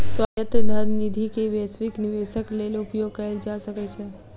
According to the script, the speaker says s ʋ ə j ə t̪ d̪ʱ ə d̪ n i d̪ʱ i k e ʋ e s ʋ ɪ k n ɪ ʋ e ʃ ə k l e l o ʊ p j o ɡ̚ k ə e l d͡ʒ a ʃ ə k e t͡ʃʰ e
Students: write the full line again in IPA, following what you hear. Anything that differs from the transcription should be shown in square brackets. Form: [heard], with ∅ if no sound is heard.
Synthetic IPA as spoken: s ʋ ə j ə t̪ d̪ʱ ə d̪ n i d̪ʱ i k e ʋ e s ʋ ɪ k n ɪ ʋ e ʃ ə k l e l o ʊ p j o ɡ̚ k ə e l d͡ʒ a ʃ ə k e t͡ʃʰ e